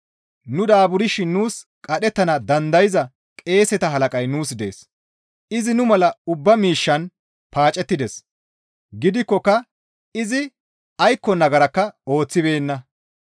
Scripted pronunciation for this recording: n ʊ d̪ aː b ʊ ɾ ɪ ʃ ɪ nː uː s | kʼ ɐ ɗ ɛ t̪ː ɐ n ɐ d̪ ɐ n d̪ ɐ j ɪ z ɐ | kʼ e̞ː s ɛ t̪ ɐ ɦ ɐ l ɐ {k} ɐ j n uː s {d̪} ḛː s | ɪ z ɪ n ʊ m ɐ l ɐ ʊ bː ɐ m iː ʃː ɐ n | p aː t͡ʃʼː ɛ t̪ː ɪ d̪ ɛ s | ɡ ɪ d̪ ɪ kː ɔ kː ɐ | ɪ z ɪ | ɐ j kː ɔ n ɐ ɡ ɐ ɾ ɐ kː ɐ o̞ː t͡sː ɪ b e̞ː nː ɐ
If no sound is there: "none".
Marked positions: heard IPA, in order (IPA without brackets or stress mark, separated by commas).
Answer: kʼ, d̪